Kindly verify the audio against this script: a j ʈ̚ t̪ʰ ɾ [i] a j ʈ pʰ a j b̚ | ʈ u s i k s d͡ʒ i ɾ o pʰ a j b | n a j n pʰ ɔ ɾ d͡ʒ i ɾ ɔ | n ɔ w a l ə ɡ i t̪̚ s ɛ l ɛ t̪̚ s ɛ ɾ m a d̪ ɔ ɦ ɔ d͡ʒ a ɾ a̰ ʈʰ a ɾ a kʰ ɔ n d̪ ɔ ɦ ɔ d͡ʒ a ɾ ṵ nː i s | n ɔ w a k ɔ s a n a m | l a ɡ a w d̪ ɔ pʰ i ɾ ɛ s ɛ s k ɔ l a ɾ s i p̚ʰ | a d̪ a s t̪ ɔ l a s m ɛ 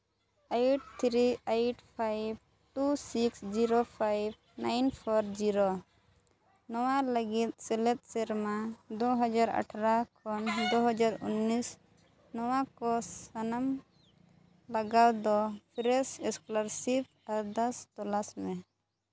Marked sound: correct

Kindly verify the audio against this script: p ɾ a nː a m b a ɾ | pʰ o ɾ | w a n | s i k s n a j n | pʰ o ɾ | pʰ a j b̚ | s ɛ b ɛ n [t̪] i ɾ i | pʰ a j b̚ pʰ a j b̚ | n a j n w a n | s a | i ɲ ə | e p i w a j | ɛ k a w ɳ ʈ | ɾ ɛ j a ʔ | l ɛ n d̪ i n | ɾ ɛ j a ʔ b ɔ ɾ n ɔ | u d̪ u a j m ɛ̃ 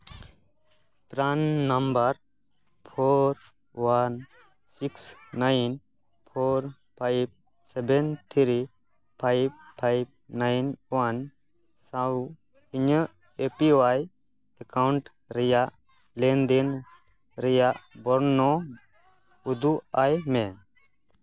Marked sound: incorrect: t̪ʰ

